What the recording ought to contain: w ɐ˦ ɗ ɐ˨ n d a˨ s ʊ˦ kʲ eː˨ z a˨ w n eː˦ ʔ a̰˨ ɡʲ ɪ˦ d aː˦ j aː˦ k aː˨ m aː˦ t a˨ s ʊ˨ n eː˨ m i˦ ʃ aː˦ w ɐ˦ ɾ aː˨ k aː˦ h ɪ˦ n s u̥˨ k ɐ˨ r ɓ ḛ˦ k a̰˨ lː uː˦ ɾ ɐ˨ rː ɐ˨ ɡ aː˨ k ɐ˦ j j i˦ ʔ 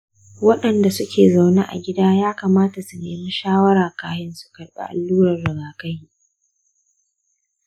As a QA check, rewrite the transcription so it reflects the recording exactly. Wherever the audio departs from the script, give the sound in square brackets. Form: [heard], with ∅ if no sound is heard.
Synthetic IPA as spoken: w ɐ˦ ɗ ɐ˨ n d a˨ s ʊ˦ kʲ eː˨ z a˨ w n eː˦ ʔ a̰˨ ɡʲ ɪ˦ d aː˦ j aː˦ k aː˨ m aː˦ t a˨ s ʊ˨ n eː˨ m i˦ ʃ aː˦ w ɐ˦ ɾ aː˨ k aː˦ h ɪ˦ n s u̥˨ k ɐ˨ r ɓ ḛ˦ [ʔ] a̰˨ lː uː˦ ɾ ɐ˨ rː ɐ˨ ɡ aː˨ k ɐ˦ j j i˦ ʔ